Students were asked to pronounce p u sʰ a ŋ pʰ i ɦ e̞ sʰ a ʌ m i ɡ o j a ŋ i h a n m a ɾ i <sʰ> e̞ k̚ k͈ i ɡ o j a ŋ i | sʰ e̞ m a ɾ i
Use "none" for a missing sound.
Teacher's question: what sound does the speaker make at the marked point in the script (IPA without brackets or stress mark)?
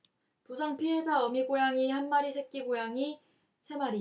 sʰ